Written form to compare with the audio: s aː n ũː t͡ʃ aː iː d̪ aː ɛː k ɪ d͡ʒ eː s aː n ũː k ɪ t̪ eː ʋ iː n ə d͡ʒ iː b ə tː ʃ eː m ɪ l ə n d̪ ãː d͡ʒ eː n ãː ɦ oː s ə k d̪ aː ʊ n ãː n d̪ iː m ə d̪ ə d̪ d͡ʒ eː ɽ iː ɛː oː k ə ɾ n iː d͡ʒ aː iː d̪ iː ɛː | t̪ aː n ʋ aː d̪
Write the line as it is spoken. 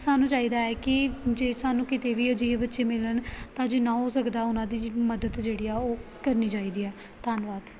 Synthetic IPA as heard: s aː n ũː t͡ʃ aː iː d̪ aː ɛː k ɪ d͡ʒ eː s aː n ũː k ɪ t̪ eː ʋ iː ə d͡ʒ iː b ə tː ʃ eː m ɪ l ə n t̪ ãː d͡ʒ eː n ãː ɦ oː s ə k d̪ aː ʊ n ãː d̪ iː m ə d̪ ə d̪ d͡ʒ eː ɽ iː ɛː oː k ə ɾ n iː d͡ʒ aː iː d̪ iː ɛː | t̪ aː n ʋ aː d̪

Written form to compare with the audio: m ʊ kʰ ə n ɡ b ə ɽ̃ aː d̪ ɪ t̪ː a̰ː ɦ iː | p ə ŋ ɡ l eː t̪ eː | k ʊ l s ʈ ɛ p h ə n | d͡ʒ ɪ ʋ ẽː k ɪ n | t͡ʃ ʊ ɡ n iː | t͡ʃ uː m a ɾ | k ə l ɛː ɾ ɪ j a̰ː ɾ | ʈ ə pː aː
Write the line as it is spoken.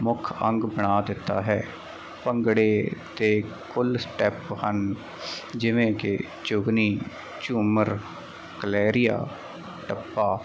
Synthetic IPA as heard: m ʊ kʰ ə ŋ ɡ b ə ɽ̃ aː d̪ ɪ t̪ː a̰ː ɦ ɛː | p ə ŋ ɡ ɽ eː t̪ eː | k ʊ l s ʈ ɛ p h ə n | d͡ʒ ɪ ʋ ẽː k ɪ | t͡ʃ ʊ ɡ n iː | t͡ʃ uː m ə ɾ | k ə l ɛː ɾ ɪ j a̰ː | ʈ ə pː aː

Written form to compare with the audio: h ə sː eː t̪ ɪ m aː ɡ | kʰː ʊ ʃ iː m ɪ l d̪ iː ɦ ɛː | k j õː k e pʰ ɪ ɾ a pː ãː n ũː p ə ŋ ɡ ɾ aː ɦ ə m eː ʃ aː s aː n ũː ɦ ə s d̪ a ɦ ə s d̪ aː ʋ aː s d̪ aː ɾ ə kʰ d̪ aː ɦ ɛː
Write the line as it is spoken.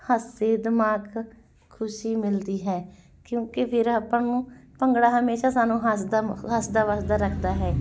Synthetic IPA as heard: h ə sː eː d̪ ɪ m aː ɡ | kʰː ʊ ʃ iː m ɪ l d̪ iː ɦ ɛː | k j õː k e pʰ ɪ ɾ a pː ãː n ũː p ə ŋ ɡ ɽ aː ɦ ə m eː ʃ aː s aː n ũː ɦ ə s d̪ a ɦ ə s d̪ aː ʋ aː s d̪ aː ɾ ə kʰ d̪ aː ɦ ɛː

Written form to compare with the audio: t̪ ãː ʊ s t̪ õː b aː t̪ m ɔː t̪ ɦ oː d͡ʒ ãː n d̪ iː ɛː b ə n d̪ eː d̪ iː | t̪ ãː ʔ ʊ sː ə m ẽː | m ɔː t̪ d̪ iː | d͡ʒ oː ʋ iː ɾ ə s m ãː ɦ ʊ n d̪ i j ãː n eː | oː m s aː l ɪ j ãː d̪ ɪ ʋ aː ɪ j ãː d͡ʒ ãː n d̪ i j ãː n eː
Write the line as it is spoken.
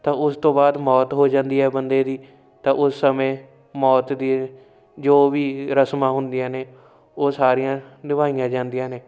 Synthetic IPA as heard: t̪ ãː ʊ s t̪ õː b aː d̪ m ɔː t̪ ɦ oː d͡ʒ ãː n d̪ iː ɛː b ə n d̪ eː d̪ iː | t̪ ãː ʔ ʊ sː ə m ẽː | m ɔː t̪ d̪ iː | d͡ʒ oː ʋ iː ɾ ə s m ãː ɦ ʊ n d̪ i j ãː n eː | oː s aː ɾ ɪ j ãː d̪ ɪ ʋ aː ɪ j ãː d͡ʒ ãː n d̪ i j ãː n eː

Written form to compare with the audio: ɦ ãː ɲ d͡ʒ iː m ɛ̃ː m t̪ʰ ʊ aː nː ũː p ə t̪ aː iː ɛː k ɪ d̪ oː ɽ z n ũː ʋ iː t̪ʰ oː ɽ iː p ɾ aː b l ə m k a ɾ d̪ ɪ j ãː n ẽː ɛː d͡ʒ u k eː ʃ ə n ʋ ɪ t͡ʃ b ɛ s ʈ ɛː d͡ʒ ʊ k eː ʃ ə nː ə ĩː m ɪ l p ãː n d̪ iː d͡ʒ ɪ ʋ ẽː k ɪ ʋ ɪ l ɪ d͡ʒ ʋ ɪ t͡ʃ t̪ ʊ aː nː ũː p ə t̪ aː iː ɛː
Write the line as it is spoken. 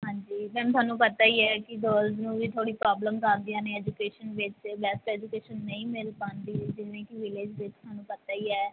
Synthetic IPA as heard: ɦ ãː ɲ d͡ʒ iː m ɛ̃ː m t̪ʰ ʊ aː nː ũː p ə t̪ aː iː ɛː k ɪ d̪ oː l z n ũː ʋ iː t̪ʰ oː ɽ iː p ɾ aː b l ə m k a ɾ d̪ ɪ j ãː n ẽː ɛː d͡ʒ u k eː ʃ ə n ʋ ɪ t͡ʃ b ɛ s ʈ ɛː d͡ʒ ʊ k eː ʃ ə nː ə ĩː m ɪ l p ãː n d̪ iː d͡ʒ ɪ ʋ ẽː k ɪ ʋ ɪ l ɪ d͡ʒ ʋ ɪ t͡ʃ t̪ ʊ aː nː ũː p ə t̪ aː iː ɛː

